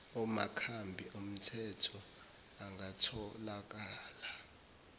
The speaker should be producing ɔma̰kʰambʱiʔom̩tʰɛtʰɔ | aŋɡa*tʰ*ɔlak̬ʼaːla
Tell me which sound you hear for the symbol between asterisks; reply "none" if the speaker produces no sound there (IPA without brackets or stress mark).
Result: tʰ